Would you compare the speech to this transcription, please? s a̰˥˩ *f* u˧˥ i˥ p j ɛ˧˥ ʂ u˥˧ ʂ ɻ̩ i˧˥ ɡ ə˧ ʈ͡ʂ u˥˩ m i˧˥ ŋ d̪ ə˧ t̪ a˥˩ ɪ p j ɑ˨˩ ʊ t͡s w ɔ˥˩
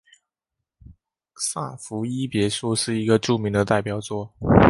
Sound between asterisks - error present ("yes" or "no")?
no